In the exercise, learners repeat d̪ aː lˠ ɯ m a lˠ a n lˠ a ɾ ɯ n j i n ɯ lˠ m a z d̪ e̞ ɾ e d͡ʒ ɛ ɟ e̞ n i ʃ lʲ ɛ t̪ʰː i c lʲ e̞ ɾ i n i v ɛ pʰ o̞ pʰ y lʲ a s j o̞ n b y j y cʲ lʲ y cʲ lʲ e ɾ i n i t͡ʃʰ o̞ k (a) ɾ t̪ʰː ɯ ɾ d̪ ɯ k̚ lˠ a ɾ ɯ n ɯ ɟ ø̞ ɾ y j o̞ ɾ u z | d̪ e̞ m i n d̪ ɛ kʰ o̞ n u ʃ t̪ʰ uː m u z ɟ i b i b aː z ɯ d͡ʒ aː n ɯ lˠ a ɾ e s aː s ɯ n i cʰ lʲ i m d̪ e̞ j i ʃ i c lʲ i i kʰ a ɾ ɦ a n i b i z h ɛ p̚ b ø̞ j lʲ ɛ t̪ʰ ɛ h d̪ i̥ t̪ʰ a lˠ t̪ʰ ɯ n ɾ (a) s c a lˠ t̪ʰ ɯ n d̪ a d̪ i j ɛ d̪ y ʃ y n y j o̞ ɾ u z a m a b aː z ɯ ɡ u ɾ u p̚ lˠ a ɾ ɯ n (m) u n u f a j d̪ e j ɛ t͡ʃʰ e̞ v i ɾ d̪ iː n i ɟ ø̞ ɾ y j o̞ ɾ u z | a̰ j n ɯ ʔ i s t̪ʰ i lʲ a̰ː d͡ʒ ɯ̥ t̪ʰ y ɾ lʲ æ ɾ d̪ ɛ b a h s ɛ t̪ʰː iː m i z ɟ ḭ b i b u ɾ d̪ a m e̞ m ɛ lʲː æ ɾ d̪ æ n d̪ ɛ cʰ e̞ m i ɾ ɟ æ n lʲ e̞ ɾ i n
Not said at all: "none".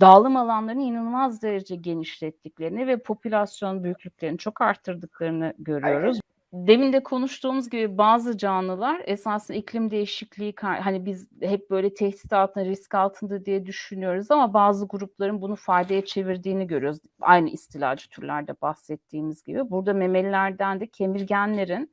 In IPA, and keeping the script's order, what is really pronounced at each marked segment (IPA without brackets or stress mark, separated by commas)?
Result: a, i, b